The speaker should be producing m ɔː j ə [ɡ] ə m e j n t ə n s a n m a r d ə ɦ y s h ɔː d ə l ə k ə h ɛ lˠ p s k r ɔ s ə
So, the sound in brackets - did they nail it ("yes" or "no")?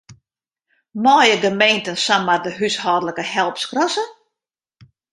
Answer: yes